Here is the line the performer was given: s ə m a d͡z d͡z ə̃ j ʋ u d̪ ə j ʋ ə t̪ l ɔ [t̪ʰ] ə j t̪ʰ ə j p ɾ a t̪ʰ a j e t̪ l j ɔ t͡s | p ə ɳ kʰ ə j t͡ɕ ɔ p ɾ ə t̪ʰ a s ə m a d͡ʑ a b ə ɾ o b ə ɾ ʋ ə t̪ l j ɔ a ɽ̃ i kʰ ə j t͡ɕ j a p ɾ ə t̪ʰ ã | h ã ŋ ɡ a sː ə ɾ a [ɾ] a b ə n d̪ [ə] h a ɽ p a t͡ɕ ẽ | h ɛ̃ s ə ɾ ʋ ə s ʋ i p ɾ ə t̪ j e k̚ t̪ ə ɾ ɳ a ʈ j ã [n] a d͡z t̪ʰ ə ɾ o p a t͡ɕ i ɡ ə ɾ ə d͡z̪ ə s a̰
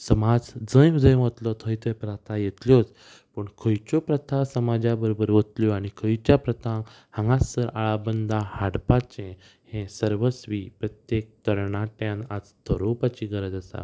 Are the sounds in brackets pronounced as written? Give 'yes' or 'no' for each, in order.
yes, no, no, yes

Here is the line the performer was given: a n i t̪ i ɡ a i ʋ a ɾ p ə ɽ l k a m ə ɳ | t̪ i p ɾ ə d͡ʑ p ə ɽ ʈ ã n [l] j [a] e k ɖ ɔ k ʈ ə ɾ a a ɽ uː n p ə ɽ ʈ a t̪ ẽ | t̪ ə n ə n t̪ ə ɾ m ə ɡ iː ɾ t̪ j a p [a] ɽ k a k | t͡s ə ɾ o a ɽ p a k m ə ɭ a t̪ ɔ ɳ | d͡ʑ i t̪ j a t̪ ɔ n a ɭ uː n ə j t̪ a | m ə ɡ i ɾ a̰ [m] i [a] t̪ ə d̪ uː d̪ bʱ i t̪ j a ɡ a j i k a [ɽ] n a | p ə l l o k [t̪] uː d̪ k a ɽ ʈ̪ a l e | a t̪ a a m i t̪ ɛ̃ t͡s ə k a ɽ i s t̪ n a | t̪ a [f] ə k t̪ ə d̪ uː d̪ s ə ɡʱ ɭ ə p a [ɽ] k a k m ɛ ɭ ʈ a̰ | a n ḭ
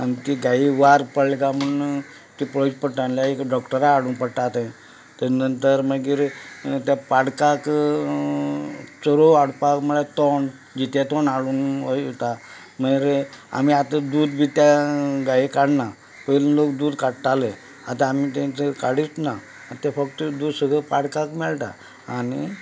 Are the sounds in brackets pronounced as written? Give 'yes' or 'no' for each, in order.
yes, yes, yes, yes, yes, yes, no, yes, yes

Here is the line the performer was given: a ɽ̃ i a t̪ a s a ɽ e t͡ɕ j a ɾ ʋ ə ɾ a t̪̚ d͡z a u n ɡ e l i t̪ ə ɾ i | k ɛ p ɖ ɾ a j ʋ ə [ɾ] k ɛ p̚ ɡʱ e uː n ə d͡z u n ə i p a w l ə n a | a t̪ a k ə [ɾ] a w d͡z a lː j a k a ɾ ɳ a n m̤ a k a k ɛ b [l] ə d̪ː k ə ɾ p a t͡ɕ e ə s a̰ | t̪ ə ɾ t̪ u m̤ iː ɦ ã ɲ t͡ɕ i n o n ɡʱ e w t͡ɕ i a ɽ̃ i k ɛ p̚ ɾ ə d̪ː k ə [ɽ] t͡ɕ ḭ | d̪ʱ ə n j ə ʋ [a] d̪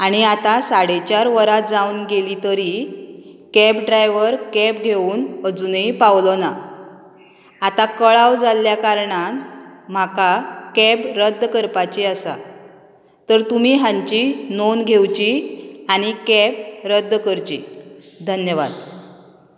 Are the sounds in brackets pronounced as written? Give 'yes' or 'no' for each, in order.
yes, no, no, no, yes

